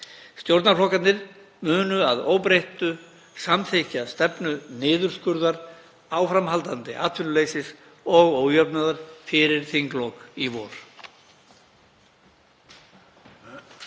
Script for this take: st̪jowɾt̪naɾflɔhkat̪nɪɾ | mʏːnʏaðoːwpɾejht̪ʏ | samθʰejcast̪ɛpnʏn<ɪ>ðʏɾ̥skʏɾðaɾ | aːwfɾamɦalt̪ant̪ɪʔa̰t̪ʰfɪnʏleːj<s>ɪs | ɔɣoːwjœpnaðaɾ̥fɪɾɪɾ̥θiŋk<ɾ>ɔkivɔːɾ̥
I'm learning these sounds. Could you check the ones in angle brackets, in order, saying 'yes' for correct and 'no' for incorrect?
no, yes, no

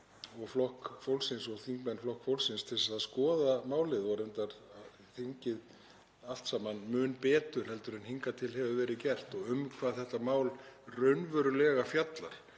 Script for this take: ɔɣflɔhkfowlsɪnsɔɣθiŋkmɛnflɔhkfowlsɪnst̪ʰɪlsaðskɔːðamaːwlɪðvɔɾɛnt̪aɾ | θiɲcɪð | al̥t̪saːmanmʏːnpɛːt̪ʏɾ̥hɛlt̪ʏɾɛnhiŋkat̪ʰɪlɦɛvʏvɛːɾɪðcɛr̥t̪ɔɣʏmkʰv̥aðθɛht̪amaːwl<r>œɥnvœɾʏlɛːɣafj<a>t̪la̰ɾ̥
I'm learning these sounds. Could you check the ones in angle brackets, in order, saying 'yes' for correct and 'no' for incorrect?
yes, yes

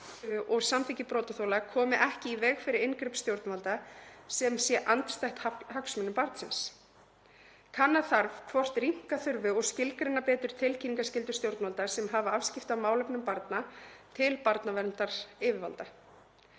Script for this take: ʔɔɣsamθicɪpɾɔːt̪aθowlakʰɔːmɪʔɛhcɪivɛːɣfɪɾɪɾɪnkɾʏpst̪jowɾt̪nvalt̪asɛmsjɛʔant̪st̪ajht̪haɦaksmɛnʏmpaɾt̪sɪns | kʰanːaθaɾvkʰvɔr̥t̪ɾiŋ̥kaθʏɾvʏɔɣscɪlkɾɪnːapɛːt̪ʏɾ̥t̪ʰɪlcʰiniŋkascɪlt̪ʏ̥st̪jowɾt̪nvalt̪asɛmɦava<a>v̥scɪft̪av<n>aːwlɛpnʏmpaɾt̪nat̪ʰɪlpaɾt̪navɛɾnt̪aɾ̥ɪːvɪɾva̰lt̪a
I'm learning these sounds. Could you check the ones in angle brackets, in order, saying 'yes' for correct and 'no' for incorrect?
yes, no

